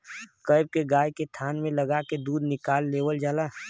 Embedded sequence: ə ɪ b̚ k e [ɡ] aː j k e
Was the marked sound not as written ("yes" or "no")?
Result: no